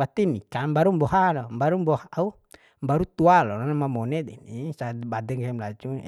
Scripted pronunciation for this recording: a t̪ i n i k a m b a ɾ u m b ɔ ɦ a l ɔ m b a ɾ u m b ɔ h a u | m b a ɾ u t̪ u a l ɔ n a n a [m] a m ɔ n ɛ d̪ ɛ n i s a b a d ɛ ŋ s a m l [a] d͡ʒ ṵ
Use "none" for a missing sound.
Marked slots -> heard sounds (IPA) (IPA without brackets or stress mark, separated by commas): m, a